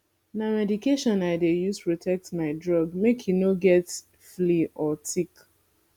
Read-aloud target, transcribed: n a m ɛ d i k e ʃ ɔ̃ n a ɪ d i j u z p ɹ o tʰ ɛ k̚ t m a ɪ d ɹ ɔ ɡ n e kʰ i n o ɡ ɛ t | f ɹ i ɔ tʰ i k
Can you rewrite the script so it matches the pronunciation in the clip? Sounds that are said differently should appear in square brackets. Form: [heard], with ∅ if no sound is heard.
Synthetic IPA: n a m ɛ d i k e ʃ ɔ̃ n a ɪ d [e] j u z p ɹ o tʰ ɛ k̚ t m a ɪ d ɹ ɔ ɡ [m] e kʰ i n o ɡ ɛ t | f [l] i ɔ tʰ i k